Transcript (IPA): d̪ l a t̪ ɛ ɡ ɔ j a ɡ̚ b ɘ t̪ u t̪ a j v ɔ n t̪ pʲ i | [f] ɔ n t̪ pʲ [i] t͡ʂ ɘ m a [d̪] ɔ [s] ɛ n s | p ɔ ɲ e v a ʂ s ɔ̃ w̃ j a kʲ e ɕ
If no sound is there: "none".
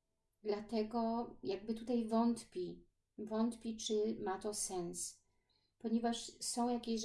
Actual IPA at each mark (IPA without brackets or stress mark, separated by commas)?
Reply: v, i, t̪, s